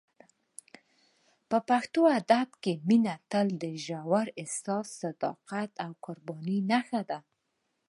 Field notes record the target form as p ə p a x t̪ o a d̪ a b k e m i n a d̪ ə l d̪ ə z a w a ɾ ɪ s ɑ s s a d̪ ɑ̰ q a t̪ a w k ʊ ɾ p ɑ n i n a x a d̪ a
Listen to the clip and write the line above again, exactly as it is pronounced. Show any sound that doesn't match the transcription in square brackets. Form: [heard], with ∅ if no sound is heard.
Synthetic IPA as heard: p ə p a x t̪ o a d̪ a b k e m i n a [t̪] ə l d̪ ə [ʒ] a w a ɾ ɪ s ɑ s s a d̪ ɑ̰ q a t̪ a w k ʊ ɾ [b] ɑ n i n a x a d̪ a